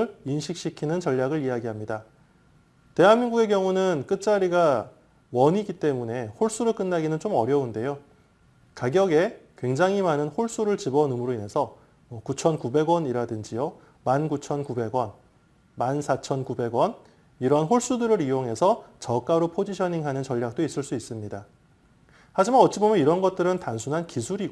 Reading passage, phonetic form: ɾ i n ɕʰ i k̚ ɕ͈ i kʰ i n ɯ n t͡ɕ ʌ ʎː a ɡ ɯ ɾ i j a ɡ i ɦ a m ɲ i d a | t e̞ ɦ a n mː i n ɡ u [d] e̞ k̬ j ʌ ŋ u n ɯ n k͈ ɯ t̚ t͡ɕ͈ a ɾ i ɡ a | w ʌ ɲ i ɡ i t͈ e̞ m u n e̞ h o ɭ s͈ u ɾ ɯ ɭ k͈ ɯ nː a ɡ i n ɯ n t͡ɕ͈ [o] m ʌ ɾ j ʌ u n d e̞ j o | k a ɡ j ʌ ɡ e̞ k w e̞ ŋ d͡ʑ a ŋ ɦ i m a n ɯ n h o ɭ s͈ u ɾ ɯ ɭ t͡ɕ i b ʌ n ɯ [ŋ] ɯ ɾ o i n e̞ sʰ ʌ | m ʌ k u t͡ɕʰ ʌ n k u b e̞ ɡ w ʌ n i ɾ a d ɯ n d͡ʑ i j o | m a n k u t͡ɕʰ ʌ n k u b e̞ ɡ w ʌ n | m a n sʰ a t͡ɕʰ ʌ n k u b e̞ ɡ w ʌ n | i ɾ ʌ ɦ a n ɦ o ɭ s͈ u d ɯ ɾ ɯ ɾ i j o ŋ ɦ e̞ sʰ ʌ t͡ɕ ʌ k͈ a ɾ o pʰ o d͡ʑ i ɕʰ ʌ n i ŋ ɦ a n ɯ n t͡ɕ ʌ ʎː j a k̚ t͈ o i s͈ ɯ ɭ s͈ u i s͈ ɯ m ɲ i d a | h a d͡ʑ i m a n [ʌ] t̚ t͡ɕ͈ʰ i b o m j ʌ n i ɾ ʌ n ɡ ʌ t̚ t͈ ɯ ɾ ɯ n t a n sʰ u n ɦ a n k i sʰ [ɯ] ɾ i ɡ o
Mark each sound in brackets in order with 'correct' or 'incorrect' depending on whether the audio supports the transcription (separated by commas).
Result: incorrect, correct, incorrect, correct, incorrect